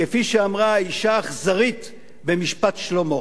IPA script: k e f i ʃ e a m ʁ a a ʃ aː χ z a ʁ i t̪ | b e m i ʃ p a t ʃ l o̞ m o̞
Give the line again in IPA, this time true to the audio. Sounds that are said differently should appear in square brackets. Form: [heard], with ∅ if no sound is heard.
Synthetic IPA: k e f i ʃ e a m ʁ a [i] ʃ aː χ z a ʁ i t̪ | b e m i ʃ p a t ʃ l o̞ m o̞

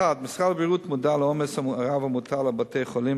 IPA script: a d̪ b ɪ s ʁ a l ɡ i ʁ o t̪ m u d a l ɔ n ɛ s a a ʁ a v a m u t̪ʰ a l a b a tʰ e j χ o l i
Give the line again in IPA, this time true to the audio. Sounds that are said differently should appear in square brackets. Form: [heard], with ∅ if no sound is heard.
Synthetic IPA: a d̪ [m] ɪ s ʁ a l [b] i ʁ [u] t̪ m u d a l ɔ [m] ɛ s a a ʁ a v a m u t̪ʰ a l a b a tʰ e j χ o l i

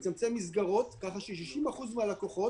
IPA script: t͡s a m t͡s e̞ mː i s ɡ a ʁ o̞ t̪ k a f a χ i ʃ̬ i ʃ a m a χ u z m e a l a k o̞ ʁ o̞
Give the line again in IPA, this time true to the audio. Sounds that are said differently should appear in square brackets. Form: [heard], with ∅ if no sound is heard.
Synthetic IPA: t͡s a m t͡s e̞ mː i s ɡ a ʁ o̞ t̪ k a [χ] a [ʃ] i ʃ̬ i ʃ [i] m a χ u z m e a l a k o̞ [χ] o̞

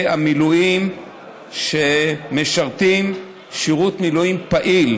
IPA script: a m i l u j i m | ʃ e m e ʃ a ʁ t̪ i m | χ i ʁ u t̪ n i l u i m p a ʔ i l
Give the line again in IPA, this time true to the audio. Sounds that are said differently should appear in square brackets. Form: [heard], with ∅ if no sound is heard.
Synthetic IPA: a m i l u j i m | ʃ e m e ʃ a ʁ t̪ i m | [ʃ] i ʁ u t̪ [m] i l u i m p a ʔ i l

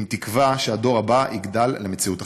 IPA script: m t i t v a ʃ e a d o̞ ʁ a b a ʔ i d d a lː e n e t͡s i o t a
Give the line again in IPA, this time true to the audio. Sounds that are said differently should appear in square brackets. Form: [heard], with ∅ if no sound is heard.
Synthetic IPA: m t i [k] v a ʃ e a d o̞ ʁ a b a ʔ i [ɡ] d a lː e [m] e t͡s i [u] t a

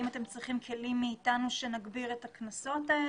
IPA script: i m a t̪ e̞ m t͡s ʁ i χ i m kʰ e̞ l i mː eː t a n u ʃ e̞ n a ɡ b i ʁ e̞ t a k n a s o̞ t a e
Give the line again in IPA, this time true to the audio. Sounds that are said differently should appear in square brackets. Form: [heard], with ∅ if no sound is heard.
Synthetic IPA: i m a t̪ e̞ m t͡s ʁ i χ i m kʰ e̞ l i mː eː t a n u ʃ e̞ n a ɡ b i ʁ e̞ t a k n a s o̞ t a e

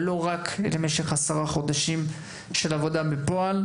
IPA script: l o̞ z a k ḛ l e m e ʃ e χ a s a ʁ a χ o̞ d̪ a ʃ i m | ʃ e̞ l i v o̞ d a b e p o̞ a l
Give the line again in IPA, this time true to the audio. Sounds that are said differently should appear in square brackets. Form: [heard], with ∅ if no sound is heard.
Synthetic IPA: l o̞ [ʁ] a k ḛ l e m e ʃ e χ a s a ʁ a χ o̞ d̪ a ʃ i m | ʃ e̞ l [a] v o̞ d a b e p o̞ a l

